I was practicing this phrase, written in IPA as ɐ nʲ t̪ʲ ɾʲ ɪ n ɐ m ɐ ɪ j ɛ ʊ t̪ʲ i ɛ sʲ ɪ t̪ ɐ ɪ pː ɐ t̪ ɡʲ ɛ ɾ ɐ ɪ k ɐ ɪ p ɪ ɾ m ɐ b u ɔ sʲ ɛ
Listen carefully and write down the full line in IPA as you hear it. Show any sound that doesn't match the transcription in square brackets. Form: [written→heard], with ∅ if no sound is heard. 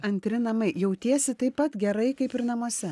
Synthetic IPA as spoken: ɐ nʲ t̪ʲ ɾʲ ɪ n ɐ m ɐ ɪ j ɛ ʊ t̪ʲ i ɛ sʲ ɪ t̪ ɐ ɪ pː ɐ t̪ ɡʲ ɛ ɾ ɐ ɪ k ɐ ɪ p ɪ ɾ [m→n] ɐ [b→m] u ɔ sʲ ɛ